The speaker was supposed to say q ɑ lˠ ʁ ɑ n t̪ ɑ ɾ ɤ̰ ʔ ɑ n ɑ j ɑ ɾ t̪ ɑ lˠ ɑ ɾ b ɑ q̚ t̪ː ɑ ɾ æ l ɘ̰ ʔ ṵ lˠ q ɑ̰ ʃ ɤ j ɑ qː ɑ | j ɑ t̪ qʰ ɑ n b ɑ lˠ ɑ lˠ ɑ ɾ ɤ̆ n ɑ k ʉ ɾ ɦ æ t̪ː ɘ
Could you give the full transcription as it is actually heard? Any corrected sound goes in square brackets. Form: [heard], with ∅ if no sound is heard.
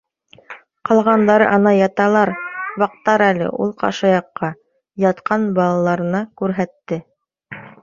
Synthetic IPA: q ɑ lˠ ʁ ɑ n [d̪] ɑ ɾ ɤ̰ ʔ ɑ n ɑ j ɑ [∅] t̪ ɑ lˠ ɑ ɾ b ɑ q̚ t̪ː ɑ ɾ æ l ɘ̰ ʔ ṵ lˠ q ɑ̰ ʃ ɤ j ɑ qː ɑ | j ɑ t̪ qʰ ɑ n b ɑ lˠ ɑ lˠ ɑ ɾ ɤ̆ n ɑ k ʉ ɾ ɦ æ t̪ː ɘ